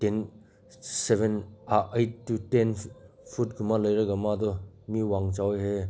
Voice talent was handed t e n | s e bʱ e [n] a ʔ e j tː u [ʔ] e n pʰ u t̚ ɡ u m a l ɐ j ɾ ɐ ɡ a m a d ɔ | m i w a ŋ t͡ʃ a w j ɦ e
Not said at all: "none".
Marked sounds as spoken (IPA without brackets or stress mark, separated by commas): n, t